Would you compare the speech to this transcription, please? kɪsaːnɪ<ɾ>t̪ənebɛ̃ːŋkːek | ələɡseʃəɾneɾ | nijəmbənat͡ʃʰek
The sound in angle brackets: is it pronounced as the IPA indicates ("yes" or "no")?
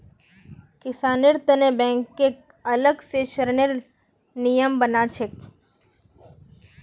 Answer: yes